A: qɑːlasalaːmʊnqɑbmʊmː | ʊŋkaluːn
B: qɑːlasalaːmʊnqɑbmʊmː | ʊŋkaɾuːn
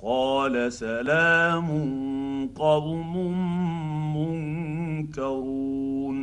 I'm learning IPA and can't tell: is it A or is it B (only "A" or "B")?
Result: B